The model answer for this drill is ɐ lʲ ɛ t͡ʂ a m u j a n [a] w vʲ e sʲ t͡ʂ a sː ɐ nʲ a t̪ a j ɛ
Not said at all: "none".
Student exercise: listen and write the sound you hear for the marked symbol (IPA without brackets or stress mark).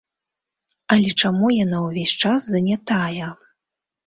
a